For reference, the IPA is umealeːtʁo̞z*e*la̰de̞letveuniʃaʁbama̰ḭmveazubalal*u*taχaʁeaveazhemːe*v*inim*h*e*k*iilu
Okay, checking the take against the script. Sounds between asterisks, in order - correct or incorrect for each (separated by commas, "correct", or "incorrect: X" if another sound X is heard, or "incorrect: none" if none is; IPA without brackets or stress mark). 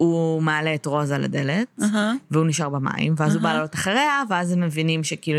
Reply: incorrect: a, incorrect: o, correct, incorrect: ʃ, correct